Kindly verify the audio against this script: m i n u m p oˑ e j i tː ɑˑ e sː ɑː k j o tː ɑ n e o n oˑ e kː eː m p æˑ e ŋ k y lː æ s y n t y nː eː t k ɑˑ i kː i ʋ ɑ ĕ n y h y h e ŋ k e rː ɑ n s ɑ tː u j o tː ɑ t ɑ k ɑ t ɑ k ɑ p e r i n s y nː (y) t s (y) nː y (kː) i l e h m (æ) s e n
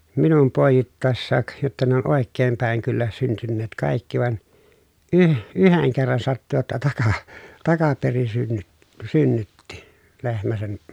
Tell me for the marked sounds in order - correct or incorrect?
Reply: correct, correct, incorrect: tː, correct

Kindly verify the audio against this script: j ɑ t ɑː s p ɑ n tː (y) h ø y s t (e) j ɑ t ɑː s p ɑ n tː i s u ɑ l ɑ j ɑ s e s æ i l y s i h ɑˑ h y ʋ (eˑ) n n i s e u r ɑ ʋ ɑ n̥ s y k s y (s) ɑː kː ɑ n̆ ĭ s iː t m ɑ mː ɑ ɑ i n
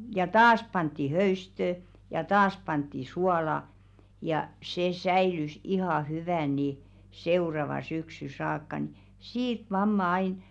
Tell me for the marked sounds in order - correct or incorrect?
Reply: incorrect: i, incorrect: ø, incorrect: æˑ, correct

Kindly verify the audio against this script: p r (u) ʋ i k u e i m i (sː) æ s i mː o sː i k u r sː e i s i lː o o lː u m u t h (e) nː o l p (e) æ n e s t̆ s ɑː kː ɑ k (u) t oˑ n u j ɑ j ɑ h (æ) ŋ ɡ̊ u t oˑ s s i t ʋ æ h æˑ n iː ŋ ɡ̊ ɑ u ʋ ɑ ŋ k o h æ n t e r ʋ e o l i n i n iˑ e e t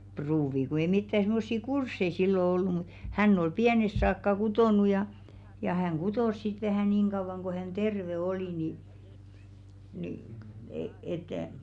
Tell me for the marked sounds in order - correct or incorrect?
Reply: incorrect: uː, incorrect: tː, incorrect: æ, incorrect: i, correct, correct

